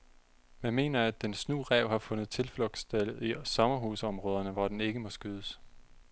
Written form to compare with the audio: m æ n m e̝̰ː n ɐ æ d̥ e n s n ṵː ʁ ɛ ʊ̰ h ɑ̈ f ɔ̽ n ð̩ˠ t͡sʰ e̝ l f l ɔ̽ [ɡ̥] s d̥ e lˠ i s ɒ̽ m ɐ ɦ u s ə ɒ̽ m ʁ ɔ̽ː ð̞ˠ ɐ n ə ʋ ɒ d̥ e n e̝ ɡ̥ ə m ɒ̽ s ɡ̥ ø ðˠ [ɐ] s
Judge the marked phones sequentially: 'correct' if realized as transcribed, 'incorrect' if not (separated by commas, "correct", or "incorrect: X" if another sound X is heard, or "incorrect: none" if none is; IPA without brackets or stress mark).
correct, incorrect: ə